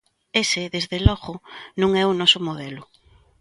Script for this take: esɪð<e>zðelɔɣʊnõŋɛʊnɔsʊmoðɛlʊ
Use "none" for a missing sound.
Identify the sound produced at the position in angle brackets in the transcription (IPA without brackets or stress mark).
e